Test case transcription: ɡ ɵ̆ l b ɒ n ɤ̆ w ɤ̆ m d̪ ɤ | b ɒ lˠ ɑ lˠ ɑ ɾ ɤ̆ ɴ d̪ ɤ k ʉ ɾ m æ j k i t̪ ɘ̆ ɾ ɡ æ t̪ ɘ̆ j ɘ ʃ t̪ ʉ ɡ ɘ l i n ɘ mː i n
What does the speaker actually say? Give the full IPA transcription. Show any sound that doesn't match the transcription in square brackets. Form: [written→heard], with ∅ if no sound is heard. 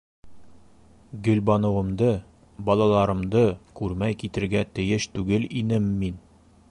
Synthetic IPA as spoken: ɡ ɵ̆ l b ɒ n ɤ̆ w ɤ̆ m d̪ ɤ | b ɒ lˠ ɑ lˠ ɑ ɾ ɤ̆ [ɴ→m] d̪ ɤ k ʉ ɾ m æ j k i t̪ ɘ̆ ɾ ɡ æ t̪ ɘ̆ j ɘ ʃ t̪ ʉ ɡ ɘ l i n ɘ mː i n

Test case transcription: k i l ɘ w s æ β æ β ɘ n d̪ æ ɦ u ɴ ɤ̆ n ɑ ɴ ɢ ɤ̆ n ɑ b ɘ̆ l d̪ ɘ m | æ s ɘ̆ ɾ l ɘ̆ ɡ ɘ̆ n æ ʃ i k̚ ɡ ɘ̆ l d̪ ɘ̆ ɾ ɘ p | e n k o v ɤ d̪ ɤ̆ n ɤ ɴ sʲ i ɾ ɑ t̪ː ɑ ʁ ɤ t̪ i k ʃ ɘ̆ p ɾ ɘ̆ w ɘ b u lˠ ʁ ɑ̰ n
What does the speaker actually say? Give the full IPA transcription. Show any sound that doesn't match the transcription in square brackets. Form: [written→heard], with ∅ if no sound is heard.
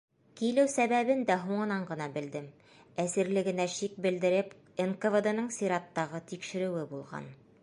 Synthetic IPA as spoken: k i l ɘ w s æ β æ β ɘ n d̪ æ ɦ u ɴ ɤ̆ n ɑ ɴ ɢ ɤ̆ n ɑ b ɘ̆ l d̪ ɘ m | æ s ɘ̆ ɾ l ɘ̆ ɡ ɘ̆ n æ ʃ i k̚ [ɡ→b] ɘ̆ l d̪ ɘ̆ ɾ ɘ p | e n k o v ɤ d̪ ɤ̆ n ɤ ɴ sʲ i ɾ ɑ t̪ː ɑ ʁ ɤ t̪ i k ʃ ɘ̆ [p→∅] ɾ ɘ̆ w ɘ b u lˠ ʁ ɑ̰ n

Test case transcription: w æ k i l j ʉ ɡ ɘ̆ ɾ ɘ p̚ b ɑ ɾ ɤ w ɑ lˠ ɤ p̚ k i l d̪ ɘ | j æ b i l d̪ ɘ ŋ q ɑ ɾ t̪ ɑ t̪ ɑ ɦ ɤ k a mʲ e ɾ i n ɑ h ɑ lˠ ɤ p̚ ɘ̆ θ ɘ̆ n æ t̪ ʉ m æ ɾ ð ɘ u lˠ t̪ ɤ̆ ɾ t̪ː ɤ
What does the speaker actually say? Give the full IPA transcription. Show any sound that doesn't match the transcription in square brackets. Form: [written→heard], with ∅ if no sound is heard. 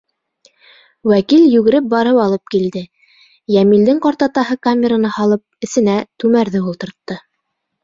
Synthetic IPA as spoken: w æ k i l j ʉ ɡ ɘ̆ ɾ ɘ p̚ b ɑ ɾ ɤ w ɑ lˠ ɤ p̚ k i l d̪ ɘ | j æ [b→m] i l d̪ ɘ ŋ q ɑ ɾ t̪ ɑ t̪ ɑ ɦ ɤ k a mʲ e ɾ [i→a] n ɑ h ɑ lˠ ɤ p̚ ɘ̆ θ ɘ̆ n æ t̪ ʉ m æ ɾ ð ɘ u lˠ t̪ ɤ̆ ɾ t̪ː ɤ

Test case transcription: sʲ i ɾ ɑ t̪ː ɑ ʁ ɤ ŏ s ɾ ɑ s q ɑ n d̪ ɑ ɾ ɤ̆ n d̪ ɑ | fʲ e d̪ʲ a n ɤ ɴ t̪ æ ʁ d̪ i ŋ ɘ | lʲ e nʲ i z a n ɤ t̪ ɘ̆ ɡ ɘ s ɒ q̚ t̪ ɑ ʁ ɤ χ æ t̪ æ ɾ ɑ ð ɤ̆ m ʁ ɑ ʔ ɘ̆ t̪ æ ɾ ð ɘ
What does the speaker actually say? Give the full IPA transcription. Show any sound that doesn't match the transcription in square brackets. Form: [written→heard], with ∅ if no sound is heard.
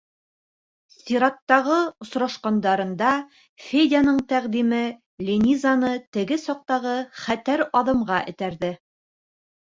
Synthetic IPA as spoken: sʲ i ɾ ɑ t̪ː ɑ ʁ ɤ ŏ s ɾ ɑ [s→ʃ] q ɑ n d̪ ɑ ɾ ɤ̆ n d̪ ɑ | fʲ e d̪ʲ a n ɤ ɴ t̪ æ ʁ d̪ i [ŋ→m] ɘ | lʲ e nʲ i z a n ɤ t̪ ɘ̆ ɡ ɘ s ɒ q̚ t̪ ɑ ʁ ɤ χ æ t̪ æ ɾ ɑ ð ɤ̆ m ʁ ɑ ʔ ɘ̆ t̪ æ ɾ ð ɘ

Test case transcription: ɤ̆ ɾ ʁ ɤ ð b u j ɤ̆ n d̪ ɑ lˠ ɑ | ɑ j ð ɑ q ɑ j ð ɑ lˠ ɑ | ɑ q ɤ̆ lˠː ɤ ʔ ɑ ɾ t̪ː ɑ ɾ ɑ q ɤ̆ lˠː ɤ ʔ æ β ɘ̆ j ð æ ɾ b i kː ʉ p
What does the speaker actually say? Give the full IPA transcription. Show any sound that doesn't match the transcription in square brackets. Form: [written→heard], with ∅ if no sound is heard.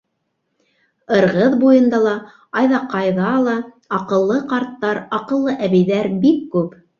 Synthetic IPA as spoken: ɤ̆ ɾ ʁ ɤ ð b u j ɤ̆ n d̪ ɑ lˠ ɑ | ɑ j ð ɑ q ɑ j ð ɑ lˠ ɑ | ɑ q ɤ̆ lˠː ɤ [ʔ→q] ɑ ɾ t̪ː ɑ ɾ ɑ q ɤ̆ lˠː ɤ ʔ æ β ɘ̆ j ð æ ɾ b i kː ʉ p

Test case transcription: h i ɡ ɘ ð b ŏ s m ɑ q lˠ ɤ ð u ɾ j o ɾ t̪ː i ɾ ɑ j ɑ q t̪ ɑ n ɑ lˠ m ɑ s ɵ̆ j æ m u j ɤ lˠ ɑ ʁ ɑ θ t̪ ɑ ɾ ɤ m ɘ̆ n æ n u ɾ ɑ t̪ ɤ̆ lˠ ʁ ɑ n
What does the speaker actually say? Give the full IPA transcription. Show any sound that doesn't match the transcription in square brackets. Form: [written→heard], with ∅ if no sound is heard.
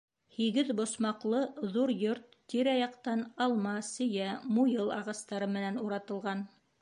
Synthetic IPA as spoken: h i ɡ ɘ ð b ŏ s m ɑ q lˠ ɤ ð u ɾ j o ɾ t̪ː i ɾ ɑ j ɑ q t̪ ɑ n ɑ lˠ m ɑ s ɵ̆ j æ m u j ɤ lˠ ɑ ʁ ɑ [θ→s] t̪ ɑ ɾ ɤ m ɘ̆ n æ n u ɾ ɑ t̪ ɤ̆ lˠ ʁ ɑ n

